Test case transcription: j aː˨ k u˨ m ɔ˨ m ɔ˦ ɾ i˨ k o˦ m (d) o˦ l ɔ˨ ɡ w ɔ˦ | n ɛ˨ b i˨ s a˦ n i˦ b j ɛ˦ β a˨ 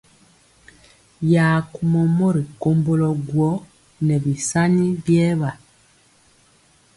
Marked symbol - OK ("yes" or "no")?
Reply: no